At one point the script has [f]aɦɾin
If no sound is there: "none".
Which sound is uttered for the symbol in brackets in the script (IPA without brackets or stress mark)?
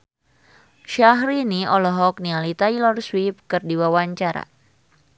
ʃ